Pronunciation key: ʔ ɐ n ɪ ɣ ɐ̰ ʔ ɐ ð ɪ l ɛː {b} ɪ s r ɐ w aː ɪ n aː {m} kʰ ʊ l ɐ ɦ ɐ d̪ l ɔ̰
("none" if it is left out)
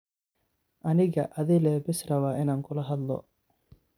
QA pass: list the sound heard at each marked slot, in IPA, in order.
b, ŋ

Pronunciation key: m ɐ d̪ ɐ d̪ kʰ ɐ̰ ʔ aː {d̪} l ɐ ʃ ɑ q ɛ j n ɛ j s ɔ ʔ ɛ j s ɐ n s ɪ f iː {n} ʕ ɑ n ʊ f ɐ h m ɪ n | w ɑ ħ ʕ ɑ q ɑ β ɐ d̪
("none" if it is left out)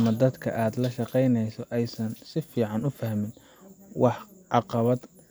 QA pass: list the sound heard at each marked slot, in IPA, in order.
d̪, none

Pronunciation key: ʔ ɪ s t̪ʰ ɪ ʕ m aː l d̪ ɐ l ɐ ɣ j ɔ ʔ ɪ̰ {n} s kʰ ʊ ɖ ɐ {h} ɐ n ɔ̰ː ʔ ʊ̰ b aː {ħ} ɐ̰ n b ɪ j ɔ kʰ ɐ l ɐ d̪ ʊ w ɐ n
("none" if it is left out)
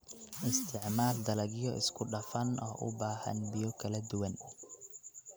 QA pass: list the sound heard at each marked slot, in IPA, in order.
none, f, h

